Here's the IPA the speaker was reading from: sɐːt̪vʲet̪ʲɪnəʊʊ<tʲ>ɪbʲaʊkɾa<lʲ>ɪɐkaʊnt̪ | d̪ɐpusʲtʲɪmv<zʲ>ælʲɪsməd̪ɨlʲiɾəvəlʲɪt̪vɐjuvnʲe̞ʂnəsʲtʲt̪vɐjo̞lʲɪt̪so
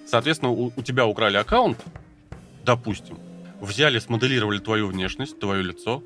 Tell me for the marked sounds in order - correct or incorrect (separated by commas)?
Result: correct, correct, correct